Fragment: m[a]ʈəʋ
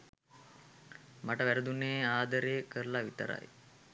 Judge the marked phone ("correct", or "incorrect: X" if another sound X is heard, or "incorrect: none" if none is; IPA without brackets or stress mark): correct